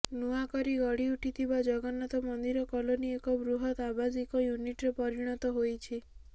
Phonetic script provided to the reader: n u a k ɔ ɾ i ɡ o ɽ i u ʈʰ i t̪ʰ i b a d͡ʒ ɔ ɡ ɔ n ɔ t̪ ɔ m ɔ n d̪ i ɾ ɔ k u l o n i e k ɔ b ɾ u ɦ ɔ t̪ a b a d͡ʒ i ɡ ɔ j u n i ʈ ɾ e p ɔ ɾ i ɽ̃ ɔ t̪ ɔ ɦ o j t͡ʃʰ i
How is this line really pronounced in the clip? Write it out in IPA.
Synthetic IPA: n u a k ɔ ɾ i ɡ ɔ ɽ i u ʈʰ i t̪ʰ i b a d͡ʒ ɔ ɡ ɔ n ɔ t̪ ɔ m ɔ n d̪ i ɾ ɔ k ɔ l o n i e k ɔ b ɾ u ɦ ɔ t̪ a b a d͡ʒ i k ɔ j u n i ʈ ɾ e p ɔ ɾ i ɽ̃ ɔ t̪ ɔ ɦ o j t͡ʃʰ i